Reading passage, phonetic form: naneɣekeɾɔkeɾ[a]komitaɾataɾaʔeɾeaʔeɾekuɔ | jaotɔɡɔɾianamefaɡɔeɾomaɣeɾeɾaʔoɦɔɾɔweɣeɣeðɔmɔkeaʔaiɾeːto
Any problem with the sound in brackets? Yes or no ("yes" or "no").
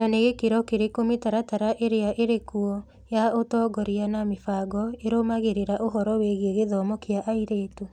yes